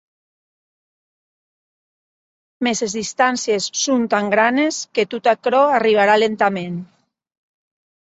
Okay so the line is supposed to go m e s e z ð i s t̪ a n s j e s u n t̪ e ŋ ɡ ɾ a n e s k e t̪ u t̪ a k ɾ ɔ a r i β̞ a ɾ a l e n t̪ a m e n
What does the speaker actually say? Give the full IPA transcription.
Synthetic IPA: m e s e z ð i s t̪ a n s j e sː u n t̪ a ŋ ɡ ɾ a n e s k e t̪ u t̪ a k ɾ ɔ a r i β̞ a ɾ a l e n t̪ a m e n

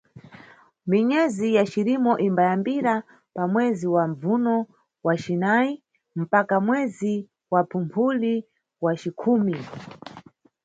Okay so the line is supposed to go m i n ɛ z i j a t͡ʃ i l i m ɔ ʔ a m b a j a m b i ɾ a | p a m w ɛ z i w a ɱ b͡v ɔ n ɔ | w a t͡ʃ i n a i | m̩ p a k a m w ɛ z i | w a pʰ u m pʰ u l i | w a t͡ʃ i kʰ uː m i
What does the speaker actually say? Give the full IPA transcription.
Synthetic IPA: m i ɲ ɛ z i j a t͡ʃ i ɾ i m ɔ ʔ i m b a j a m b i ɾ a | p a m w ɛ z i w a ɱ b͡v u n ɔ | w a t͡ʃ i n a i | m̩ p a k a m w ɛ z i | w a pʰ u m pʰ u l i | w a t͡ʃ i kʰ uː m i

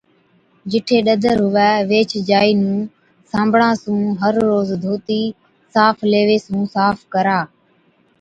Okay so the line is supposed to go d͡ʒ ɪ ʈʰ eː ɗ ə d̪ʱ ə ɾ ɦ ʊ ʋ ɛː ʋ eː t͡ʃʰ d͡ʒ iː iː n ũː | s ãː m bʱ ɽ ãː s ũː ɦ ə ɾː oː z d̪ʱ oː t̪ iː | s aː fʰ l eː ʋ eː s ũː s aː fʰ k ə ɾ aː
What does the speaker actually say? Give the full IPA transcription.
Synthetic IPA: d͡ʒ ɪ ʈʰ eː ɗ ə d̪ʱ ə ɾ ɦ ʊ ʋ ɛː ʋ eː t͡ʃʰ d͡ʒ aː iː n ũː | s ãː m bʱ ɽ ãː s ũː ɦ ə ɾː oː z d̪ʱ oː t̪ iː | s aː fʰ l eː ʋ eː s ũː s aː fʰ k ə ɾ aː

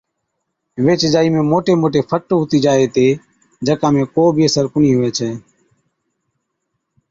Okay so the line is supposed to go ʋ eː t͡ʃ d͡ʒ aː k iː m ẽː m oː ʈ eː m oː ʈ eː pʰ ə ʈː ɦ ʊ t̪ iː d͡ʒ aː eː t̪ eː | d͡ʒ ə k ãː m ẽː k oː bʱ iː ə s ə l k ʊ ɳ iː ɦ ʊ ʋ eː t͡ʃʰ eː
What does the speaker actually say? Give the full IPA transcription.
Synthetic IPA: ʋ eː t͡ʃ d͡ʒ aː iː m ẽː m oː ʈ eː m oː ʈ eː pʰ ə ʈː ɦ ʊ t̪ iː d͡ʒ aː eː t̪ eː | d͡ʒ ə k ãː m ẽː k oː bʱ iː ə s ə ɾ k ʊ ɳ iː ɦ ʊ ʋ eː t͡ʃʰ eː

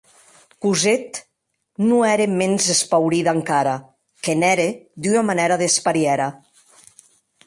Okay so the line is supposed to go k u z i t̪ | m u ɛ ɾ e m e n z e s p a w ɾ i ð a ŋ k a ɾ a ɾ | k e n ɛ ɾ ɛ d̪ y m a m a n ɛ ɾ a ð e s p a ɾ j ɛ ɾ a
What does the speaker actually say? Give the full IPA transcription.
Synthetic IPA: k u z e t̪ | n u ɛ ɾ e m e n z e s p a w ɾ i ð a ŋ k a ɾ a | k e n ɛ ɾ e d̪ y n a m a n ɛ ɾ a ð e s p a ɾ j ɛ ɾ a

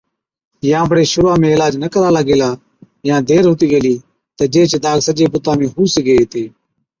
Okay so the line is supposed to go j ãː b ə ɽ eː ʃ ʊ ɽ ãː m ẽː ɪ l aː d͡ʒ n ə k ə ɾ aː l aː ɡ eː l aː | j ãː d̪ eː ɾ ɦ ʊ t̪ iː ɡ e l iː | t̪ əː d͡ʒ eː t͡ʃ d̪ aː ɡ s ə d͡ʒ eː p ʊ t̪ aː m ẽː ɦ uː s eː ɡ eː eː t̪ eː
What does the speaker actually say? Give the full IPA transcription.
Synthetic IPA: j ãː b ə ɽ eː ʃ ʊ ɾ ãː m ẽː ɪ l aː d͡ʒ n ə k ə ɾ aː l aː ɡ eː l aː | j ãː d̪ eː ɾ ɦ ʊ t̪ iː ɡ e l iː | t̪ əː d͡ʒ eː t͡ʃ d̪ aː ɡ s ə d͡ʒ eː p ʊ t̪ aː m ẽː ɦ uː s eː ɡ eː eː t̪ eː

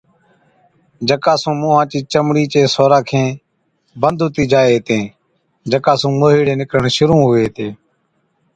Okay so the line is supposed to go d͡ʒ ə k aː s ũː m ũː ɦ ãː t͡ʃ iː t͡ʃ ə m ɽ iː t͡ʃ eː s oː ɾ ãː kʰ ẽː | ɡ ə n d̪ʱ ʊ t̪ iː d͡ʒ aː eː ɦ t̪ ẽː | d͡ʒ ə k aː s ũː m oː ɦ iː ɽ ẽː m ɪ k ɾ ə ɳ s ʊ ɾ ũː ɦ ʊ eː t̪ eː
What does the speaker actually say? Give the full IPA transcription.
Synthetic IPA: d͡ʒ ə k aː s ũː m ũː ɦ ãː t͡ʃ iː t͡ʃ ə m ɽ iː t͡ʃ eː s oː ɾ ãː kʰ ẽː | b ə n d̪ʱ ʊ t̪ iː d͡ʒ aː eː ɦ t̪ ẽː | d͡ʒ ə k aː s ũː m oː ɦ iː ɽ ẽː n ɪ k ɾ ə ɳ ʃ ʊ ɾ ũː ɦ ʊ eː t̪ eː

